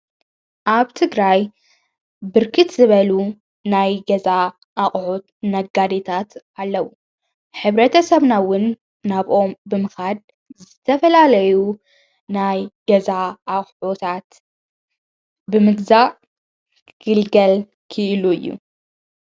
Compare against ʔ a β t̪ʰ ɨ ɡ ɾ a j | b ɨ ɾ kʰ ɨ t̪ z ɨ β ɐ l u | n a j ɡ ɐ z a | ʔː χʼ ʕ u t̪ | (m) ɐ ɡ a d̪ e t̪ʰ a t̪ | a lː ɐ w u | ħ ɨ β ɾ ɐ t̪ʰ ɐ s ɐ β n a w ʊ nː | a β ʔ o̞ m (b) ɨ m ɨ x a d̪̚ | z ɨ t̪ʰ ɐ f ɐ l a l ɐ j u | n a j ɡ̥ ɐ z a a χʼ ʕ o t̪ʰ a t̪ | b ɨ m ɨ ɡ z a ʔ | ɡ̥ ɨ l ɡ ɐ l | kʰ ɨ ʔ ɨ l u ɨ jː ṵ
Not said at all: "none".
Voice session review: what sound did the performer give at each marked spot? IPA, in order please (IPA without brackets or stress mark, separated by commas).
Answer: n, b